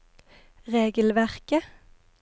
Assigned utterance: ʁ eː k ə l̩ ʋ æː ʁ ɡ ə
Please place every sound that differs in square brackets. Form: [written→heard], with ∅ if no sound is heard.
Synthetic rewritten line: ʁ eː [k→ɡ] ə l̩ ʋ [æː→æ] ʁ [ɡ→k] ə

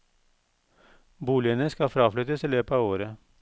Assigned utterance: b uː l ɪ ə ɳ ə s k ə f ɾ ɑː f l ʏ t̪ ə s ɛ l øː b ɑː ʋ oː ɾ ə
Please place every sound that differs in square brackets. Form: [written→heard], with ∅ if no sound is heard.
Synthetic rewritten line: b uː l ɪ ə [ɳ→n] ə s k [ə→ɑ] f ɾ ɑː f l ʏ t̪ ə s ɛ l øː [b→p] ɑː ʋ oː ɾ ə

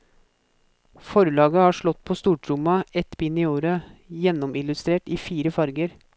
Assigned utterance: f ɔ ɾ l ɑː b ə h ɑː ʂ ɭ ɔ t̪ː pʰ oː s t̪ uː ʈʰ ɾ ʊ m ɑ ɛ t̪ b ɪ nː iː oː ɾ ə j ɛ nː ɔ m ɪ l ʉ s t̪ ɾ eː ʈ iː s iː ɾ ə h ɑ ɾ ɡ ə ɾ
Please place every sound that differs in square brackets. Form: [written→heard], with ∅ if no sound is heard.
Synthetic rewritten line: f ɔ ɾ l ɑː [b→ɡ] ə h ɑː ʂ ɭ ɔ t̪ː pʰ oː s t̪ uː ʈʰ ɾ ʊ m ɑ ɛ t̪ b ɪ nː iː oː ɾ ə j ɛ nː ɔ m ɪ l ʉ s t̪ ɾ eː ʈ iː [s→f] iː ɾ ə [h→f] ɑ ɾ ɡ ə ɾ

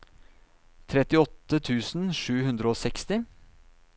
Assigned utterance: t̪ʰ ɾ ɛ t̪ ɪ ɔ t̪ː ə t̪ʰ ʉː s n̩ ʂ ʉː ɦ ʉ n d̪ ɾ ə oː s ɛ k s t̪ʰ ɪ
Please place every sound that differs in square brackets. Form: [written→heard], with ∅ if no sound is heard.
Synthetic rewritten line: t̪ʰ ɾ ɛ t̪ ɪ ɔ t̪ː ə t̪ʰ ʉː s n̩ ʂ ʉː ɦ ʉ n d̪ ɾ ə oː s ɛ k s [t̪ʰ→t̪] ɪ

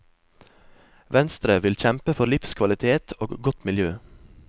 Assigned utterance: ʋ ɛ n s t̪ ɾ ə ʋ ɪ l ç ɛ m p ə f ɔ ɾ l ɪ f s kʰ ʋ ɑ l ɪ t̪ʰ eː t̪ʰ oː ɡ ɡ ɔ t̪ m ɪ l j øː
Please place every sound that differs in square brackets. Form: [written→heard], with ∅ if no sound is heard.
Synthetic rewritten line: ʋ ɛ n s t̪ ɾ ə ʋ ɪ l ç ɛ m p ə f ɔ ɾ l ɪ f s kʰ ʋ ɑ l ɪ t̪ʰ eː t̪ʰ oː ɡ ɡ ɔ t̪ m ɪ l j øː

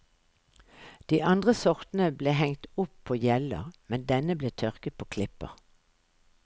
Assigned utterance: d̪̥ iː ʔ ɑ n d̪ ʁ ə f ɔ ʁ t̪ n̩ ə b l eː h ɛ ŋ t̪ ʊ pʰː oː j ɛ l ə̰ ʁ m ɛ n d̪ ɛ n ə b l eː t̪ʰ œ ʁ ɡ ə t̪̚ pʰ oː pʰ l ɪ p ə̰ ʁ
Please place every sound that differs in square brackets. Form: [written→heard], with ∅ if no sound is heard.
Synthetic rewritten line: d̪̥ iː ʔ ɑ n d̪ ʁ ə [f→s] ɔ ʁ t̪ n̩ ə b l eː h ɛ ŋ t̪ ʊ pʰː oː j ɛ l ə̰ ʁ m ɛ n d̪ ɛ n ə b l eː t̪ʰ œ ʁ [ɡ→k] ə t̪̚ pʰ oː [pʰ→kʰ] l ɪ p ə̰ ʁ

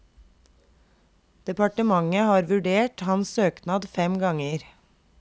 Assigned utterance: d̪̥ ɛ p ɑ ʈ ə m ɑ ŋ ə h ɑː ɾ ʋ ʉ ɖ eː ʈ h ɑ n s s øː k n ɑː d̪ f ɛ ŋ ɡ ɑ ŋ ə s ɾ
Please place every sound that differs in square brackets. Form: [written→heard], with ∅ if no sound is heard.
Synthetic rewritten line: d̪̥ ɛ p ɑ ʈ ə m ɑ ŋ ə h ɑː ɾ ʋ ʉ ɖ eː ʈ h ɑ n s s øː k n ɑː d̪ f ɛ [ŋ→m] ɡ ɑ ŋ ə [s→∅] ɾ

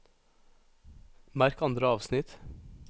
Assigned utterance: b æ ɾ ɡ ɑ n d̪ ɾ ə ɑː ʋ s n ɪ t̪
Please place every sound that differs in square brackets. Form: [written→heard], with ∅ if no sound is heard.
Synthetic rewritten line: [b→m] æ ɾ [ɡ→k] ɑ n d̪ ɾ ə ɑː ʋ s n ɪ t̪

